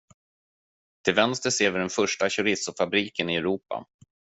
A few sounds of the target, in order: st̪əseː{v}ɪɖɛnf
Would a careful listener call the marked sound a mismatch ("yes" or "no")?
no